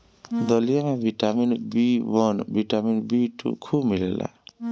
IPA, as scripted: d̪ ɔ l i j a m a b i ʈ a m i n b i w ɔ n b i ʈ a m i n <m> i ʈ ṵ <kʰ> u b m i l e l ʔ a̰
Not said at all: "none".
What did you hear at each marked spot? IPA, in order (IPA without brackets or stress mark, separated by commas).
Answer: b, kʰ